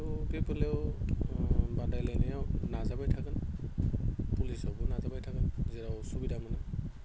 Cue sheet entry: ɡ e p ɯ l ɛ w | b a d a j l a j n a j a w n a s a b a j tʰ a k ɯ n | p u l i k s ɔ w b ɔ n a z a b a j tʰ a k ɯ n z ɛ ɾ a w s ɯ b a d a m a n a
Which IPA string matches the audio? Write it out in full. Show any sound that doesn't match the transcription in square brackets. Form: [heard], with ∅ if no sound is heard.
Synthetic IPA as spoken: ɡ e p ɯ l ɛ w | b a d a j l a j n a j a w n a [z] a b a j tʰ a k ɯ n | p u l i [∅] s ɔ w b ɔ n a z a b a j tʰ a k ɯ n z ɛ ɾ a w s [u] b [i] d a m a n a